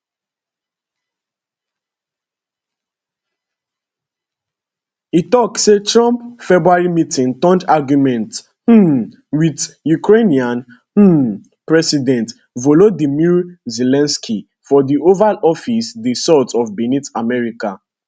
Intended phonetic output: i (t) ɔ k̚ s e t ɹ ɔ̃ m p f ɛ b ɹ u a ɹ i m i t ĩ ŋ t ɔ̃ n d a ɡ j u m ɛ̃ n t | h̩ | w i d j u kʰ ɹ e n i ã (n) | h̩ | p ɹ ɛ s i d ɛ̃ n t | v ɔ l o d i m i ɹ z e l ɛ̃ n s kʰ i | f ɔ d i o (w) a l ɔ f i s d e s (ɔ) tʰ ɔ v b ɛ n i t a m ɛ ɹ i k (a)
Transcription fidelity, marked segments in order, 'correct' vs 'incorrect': correct, correct, incorrect, correct, correct

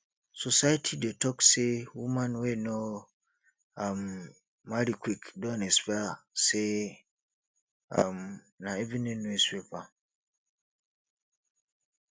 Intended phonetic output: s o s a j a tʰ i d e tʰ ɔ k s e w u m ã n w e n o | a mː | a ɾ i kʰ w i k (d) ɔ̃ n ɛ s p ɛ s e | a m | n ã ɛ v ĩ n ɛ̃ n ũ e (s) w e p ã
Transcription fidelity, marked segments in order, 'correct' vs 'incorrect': correct, correct

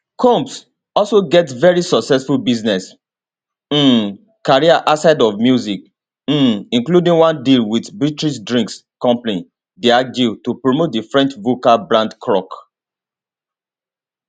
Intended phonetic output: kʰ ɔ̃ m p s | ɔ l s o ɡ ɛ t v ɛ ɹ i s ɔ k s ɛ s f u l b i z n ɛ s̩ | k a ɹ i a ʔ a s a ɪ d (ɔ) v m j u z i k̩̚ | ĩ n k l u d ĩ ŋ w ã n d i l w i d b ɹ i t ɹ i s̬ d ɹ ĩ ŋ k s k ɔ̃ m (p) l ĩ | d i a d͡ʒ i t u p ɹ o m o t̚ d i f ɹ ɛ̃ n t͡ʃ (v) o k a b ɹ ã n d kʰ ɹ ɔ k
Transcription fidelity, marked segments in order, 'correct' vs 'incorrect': correct, correct, correct

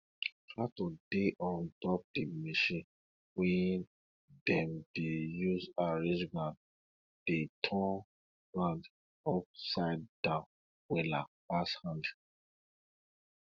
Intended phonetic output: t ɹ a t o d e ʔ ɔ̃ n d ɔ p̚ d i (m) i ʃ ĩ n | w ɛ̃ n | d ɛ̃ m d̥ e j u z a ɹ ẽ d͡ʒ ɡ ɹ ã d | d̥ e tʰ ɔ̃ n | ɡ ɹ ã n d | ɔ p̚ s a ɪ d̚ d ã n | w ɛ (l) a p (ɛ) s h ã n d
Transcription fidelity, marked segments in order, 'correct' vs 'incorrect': correct, correct, incorrect

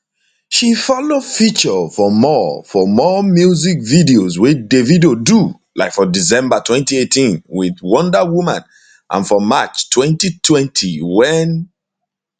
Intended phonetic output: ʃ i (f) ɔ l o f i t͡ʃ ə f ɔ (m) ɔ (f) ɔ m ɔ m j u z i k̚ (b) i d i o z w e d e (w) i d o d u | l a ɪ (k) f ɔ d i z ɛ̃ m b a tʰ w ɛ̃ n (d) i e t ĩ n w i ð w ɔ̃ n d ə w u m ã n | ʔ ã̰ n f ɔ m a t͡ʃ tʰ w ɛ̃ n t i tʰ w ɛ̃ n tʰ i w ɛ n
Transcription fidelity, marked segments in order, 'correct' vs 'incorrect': correct, correct, correct, incorrect, incorrect, correct, incorrect

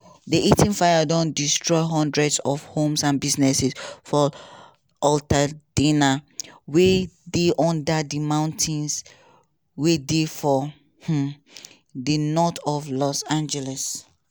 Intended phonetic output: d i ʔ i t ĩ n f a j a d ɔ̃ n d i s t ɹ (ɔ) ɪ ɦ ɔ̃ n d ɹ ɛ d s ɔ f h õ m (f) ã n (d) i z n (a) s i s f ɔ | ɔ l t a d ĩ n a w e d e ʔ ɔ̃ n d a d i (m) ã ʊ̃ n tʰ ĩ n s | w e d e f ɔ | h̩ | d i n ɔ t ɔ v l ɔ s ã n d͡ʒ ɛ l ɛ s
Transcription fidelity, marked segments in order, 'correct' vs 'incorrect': correct, incorrect, incorrect, incorrect, correct

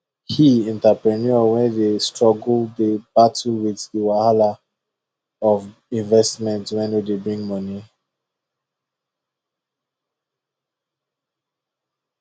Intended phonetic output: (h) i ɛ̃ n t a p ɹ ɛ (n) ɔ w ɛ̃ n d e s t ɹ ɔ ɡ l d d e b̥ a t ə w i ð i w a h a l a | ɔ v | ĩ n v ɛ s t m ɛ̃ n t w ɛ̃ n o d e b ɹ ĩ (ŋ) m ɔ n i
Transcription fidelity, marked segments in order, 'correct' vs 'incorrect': correct, correct, correct

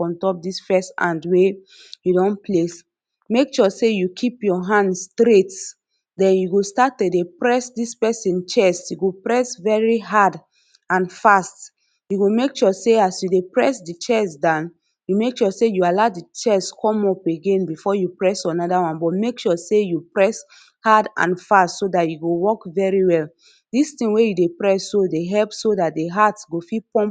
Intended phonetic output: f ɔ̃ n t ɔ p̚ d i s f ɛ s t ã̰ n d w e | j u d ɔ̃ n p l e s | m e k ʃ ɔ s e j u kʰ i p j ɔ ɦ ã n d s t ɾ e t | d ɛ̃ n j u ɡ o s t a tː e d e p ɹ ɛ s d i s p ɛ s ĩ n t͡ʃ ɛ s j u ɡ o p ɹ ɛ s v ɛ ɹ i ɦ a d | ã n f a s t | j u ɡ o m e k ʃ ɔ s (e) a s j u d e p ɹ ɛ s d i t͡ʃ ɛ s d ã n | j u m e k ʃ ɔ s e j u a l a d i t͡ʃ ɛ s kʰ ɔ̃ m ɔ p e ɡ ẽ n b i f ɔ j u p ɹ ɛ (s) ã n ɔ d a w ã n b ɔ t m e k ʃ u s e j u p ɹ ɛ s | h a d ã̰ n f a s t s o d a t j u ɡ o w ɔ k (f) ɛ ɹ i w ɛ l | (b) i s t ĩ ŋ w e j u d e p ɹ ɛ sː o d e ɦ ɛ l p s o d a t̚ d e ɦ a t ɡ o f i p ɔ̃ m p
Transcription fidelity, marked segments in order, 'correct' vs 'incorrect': correct, correct, incorrect, incorrect

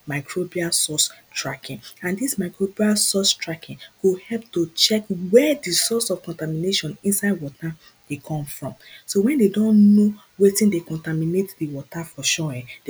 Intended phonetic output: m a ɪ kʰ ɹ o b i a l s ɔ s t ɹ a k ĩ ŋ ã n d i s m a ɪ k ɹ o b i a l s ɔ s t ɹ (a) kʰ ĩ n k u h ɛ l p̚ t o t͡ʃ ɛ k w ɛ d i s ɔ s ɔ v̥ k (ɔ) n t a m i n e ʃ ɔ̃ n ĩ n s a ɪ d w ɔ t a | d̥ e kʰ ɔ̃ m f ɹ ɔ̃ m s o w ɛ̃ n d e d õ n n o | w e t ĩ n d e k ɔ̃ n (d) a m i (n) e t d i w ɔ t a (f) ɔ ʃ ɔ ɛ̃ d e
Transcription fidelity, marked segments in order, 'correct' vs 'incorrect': correct, incorrect, incorrect, correct, correct

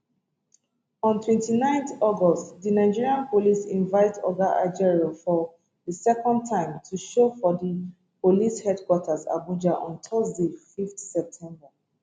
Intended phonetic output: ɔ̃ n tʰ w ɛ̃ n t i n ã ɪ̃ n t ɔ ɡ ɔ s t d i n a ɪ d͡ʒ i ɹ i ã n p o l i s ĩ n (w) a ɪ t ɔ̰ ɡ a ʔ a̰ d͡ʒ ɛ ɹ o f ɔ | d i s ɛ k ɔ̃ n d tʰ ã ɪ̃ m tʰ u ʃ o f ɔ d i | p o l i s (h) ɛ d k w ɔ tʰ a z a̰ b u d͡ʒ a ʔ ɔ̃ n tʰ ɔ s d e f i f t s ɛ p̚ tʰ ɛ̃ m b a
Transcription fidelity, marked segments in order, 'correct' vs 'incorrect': incorrect, correct

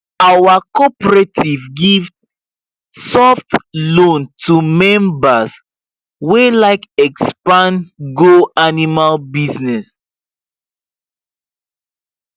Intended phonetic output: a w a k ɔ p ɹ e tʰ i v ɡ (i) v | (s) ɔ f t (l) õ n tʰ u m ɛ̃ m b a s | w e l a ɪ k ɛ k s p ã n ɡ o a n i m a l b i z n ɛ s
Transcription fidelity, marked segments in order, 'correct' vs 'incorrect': correct, correct, correct

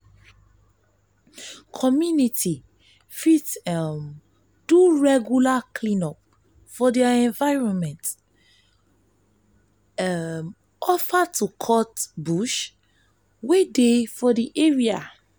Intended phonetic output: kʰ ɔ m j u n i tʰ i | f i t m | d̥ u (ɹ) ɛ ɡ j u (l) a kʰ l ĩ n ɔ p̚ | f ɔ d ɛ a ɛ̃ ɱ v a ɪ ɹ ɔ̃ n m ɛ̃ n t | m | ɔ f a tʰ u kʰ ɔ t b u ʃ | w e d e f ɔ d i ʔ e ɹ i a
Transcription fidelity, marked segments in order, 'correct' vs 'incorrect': correct, correct

